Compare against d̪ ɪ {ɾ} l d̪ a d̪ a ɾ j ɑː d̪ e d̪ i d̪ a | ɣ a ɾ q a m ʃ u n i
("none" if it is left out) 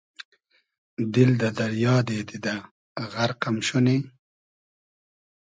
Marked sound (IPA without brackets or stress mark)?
none